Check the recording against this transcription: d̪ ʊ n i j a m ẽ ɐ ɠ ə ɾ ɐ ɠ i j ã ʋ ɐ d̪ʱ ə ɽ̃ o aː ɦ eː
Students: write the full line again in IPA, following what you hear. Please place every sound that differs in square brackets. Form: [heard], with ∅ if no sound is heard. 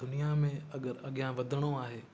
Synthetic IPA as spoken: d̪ ʊ n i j a m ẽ ɐ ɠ ə ɾ ɐ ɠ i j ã ʋ ɐ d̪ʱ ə ɽ̃ o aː ɦ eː

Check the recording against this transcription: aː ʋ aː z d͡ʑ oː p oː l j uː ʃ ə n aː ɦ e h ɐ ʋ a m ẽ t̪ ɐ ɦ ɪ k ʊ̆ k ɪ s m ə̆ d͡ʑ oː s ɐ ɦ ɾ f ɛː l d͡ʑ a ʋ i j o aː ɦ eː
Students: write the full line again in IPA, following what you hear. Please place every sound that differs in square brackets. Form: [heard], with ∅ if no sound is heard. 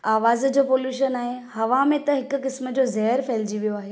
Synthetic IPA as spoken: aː ʋ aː z d͡ʑ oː p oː l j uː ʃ ə n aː ɦ e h ɐ ʋ a m ẽ t̪ ɐ ɦ ɪ k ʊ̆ k ɪ s m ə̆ d͡ʑ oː [z] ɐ ɦ ɾ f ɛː l d͡ʑ [i] ʋ i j o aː ɦ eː

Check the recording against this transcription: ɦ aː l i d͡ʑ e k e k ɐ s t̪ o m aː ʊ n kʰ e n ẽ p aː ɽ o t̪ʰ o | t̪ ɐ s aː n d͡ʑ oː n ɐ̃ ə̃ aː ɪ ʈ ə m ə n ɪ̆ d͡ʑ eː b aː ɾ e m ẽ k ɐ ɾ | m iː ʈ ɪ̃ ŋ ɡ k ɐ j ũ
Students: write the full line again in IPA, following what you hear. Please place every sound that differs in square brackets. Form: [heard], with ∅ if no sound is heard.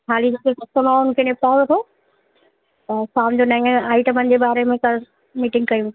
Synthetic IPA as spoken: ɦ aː l i d͡ʑ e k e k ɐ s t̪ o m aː ʊ n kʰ e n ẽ p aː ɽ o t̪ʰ o | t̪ ɐ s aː [m] d͡ʑ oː n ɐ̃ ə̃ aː ɪ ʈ ə m ə n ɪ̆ d͡ʑ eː b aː ɾ e m ẽ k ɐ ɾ | m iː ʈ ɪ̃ ŋ ɡ k ɐ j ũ

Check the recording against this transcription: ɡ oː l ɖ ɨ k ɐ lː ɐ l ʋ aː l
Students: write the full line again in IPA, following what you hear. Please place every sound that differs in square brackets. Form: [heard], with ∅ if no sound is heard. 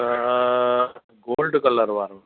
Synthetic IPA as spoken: ɡ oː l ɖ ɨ k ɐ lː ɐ [ɾ] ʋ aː [ɾ]

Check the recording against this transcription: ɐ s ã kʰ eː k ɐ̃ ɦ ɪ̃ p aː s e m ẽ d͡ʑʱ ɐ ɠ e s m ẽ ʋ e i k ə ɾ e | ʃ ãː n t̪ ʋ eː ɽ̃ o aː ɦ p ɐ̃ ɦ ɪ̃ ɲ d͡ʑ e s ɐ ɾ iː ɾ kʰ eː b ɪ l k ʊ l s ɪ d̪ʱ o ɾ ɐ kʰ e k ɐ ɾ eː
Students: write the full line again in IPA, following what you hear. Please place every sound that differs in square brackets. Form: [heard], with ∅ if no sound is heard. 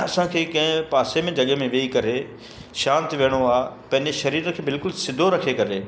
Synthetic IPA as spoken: ɐ s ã kʰ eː k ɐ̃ ɦ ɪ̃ p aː s e m ẽ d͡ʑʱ ɐ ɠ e [∅] m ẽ ʋ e i k [ɐ] ɾ e | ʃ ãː n t̪ ʋ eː ɽ̃ o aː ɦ p ɐ̃ ɦ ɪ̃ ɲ d͡ʑ e [ʃ] ɐ ɾ iː ɾ kʰ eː b ɪ l k ʊ l s ɪ d̪ʱ o ɾ ɐ kʰ e k ɐ ɾ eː

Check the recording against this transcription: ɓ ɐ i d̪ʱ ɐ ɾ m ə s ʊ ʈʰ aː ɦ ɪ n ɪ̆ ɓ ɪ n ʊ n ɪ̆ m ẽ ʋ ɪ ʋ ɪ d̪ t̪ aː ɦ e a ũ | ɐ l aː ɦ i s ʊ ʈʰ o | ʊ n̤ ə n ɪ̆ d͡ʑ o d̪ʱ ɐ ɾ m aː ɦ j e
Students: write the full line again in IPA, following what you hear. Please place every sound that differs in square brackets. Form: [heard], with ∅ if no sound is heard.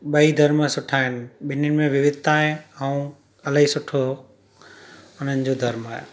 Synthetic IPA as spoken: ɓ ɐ i d̪ʱ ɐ ɾ m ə s ʊ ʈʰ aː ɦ ɪ n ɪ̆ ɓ ɪ n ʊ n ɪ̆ m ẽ ʋ ɪ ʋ ɪ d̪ t̪ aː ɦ e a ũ | ɐ l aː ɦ i s ʊ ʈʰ o | ʊ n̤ ə n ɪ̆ d͡ʑ o d̪ʱ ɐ ɾ m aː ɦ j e

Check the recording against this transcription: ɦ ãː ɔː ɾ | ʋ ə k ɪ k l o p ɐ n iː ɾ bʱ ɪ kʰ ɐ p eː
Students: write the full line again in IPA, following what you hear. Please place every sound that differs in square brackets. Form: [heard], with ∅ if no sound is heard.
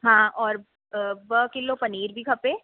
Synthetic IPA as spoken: ɦ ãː ɔː ɾ | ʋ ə k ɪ [∅] l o p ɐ n iː ɾ bʱ [i] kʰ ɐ p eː

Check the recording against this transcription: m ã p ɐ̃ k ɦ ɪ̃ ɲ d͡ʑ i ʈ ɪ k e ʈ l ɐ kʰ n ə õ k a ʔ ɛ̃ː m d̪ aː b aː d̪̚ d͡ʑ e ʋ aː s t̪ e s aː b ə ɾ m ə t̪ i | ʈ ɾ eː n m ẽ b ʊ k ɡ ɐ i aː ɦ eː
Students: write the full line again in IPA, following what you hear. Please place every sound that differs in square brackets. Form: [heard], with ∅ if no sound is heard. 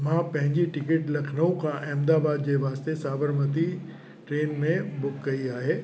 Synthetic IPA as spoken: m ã p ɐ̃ [∅] ɦ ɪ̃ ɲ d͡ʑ i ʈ ɪ k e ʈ l ɐ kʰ n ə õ k a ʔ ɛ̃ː m d̪ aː b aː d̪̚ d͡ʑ e ʋ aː s t̪ e s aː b ə ɾ m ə t̪ i | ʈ ɾ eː n m ẽ b ʊ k ɡ ɐ i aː ɦ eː

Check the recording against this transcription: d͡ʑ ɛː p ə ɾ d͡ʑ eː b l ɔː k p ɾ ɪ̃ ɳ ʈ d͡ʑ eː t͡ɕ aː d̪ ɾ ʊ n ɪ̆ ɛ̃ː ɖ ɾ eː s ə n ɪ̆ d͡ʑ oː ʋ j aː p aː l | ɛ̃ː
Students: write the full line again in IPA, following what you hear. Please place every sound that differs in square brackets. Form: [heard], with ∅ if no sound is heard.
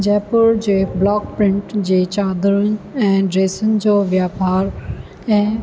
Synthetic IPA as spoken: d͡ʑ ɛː p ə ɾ d͡ʑ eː b l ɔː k p ɾ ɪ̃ ɳ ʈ d͡ʑ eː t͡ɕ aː d̪ ɾ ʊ n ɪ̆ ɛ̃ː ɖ ɾ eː s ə n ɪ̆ d͡ʑ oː ʋ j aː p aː [ɾ] | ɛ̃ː

